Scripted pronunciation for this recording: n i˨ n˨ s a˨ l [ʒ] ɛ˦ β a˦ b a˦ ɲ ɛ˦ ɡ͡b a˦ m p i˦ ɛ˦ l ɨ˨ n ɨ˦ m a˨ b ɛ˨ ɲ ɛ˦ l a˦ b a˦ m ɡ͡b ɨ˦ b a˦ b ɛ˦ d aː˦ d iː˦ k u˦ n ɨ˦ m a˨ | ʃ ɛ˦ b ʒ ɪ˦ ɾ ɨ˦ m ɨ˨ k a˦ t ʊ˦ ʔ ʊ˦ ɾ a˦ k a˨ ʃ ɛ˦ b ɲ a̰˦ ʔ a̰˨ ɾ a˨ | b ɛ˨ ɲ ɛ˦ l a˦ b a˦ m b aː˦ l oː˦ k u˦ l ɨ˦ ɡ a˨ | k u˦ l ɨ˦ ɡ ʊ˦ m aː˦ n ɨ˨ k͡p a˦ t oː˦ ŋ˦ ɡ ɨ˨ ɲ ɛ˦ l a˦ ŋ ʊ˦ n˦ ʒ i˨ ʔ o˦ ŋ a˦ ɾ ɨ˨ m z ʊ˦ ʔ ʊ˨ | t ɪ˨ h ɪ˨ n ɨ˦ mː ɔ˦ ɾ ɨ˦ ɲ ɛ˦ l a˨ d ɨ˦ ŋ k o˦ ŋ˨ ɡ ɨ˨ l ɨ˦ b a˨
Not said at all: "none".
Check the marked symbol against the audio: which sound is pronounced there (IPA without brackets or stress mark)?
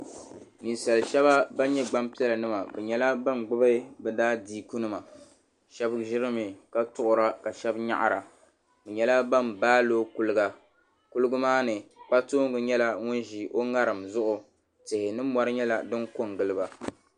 ʃ